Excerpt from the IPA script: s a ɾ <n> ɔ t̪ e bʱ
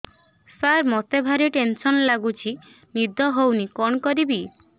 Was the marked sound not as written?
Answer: yes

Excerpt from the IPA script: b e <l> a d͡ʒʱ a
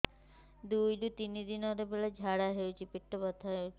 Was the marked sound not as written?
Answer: no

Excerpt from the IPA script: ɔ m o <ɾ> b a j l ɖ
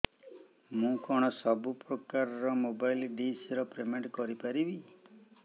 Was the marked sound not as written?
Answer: yes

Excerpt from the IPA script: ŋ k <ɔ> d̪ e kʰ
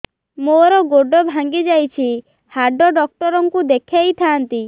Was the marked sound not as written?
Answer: yes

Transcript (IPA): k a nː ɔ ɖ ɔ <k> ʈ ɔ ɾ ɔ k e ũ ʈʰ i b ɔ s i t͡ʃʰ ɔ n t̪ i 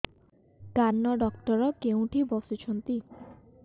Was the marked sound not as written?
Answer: no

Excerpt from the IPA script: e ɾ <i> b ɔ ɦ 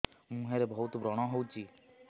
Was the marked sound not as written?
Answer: yes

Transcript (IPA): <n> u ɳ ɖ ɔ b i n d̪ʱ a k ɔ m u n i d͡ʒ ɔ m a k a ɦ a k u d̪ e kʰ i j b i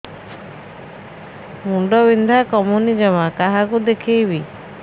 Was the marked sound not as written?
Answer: yes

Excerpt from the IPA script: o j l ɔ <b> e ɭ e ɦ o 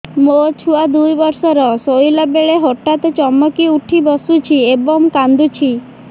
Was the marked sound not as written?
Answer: no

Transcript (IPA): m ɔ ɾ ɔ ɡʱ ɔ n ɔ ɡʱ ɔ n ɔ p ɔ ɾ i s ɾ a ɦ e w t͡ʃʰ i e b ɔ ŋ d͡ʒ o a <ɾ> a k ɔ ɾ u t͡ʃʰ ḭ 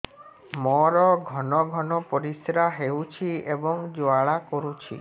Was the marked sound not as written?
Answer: yes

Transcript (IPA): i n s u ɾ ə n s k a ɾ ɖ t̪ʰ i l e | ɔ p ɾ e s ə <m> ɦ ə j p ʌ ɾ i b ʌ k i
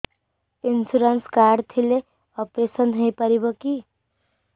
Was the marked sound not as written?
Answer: yes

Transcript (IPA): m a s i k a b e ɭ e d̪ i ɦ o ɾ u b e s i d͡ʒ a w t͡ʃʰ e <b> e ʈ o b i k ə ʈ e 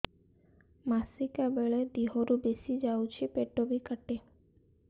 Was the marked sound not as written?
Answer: yes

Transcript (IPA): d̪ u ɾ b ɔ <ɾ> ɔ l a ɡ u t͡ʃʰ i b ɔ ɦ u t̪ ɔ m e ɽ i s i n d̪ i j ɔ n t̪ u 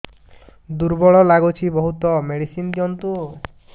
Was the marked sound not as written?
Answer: yes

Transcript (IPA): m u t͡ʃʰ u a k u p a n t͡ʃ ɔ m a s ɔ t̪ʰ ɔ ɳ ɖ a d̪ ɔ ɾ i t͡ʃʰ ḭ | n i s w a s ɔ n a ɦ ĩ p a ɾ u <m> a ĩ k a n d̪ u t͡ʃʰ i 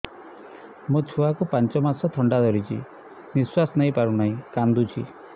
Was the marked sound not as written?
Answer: yes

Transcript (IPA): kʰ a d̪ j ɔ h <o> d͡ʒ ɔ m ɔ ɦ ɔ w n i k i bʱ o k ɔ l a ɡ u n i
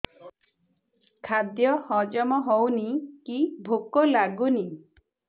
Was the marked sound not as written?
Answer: yes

